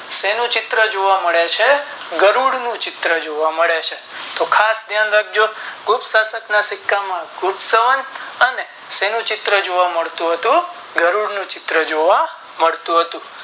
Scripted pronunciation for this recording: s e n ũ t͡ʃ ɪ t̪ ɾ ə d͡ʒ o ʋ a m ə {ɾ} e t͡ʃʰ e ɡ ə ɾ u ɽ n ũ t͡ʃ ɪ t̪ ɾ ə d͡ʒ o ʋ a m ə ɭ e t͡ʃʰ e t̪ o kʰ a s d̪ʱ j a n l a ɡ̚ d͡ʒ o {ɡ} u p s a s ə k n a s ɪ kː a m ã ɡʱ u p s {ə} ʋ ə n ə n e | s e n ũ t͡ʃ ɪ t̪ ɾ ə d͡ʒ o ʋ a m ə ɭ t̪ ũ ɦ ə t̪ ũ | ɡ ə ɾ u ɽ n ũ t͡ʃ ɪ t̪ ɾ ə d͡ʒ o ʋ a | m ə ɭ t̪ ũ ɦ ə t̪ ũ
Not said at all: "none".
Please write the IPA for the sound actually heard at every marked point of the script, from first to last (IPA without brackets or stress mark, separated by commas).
ɭ, ɡ, ə